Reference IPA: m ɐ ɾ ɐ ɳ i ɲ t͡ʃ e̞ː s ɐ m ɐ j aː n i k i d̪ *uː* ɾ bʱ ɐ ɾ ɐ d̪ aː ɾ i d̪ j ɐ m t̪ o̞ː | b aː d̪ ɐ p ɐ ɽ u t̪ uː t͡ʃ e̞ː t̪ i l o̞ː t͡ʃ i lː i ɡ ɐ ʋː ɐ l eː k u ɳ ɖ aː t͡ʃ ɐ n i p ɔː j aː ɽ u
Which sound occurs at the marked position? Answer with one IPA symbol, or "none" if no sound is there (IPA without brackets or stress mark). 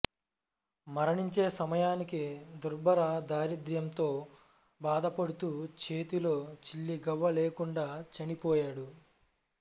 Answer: u